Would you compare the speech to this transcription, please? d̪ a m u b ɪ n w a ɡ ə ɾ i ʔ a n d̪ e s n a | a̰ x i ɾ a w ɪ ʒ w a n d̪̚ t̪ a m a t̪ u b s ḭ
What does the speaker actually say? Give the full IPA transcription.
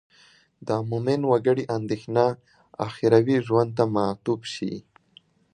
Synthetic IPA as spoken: d̪ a m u m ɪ n w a ɡ ə ɽ i ʔ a n d̪ e x n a | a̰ x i ɾ a w i ʒ w a n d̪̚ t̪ a m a t̪ u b ʃ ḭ